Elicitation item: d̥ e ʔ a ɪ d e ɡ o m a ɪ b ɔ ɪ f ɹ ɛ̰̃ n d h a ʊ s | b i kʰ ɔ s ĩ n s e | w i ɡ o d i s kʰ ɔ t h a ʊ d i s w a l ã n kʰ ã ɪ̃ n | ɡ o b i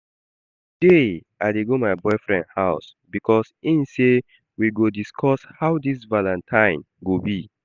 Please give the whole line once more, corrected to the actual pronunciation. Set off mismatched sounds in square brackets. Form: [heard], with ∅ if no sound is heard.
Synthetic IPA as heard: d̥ e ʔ a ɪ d e ɡ o m a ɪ b ɔ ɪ f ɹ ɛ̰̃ n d h a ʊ s | b i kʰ ɔ s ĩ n s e | w i ɡ o d i s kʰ ɔ [s] h a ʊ d i s [v] a l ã n [tʰ] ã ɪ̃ n | ɡ o b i